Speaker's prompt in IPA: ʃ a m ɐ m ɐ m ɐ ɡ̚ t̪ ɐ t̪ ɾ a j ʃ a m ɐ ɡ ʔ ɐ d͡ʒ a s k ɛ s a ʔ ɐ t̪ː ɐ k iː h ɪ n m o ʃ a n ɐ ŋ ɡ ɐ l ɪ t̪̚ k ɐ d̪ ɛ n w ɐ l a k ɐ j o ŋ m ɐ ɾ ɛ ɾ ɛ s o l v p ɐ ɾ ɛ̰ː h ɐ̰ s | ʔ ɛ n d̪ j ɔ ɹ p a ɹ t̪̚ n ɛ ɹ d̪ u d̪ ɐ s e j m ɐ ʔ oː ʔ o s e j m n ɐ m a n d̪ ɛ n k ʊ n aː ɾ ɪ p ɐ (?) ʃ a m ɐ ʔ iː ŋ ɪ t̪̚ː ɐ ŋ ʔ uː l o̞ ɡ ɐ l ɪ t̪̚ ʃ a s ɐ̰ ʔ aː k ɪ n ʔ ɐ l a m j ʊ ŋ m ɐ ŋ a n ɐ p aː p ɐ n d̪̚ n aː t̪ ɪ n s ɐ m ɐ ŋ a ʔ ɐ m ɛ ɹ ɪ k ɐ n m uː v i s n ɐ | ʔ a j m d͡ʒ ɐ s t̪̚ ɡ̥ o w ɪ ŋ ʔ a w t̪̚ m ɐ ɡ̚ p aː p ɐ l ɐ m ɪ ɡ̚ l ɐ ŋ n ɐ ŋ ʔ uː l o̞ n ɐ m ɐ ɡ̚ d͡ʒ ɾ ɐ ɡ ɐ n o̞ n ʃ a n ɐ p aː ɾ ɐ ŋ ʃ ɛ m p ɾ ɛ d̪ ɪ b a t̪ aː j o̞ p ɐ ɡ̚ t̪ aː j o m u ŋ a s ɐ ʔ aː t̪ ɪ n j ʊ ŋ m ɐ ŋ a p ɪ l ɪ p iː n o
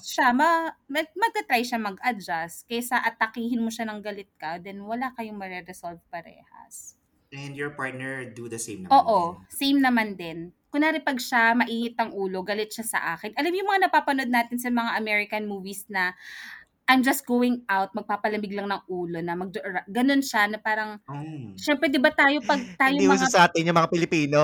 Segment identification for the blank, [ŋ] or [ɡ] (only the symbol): ɡ